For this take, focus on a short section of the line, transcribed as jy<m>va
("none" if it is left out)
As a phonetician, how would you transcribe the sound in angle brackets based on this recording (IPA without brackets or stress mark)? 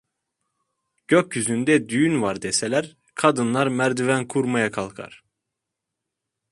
n